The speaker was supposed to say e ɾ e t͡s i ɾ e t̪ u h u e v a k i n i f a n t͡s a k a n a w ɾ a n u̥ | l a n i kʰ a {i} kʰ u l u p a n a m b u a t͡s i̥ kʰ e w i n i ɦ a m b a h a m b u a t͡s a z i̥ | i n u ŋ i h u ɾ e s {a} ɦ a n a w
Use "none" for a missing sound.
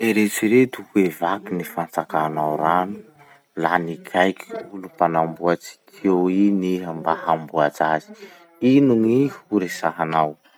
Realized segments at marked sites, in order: j, a

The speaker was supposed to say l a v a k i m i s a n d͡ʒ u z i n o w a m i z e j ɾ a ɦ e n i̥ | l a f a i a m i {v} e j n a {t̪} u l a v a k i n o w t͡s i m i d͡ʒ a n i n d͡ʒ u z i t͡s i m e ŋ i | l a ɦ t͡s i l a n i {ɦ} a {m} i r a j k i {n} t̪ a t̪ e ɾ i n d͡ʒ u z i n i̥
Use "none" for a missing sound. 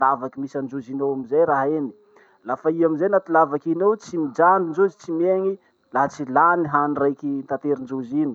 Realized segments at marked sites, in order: z, t̪, ɦ, n, n

